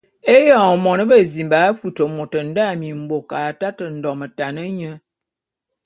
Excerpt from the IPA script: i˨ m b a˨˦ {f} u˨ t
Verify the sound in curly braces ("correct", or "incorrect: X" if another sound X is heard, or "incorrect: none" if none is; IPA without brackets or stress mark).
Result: correct